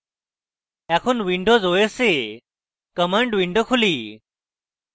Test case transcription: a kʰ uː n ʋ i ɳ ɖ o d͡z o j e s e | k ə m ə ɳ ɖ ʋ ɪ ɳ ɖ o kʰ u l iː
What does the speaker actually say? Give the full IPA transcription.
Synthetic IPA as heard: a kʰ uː n ʋ i ɳ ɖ o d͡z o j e s e | k ə m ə ɳ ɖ ʋ i ɳ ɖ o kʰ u l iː